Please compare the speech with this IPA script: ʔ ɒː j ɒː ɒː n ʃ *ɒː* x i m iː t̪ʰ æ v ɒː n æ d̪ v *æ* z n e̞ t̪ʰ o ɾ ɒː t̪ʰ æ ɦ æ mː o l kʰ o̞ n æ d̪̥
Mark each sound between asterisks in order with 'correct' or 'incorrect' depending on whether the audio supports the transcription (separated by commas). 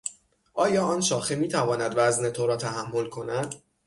correct, correct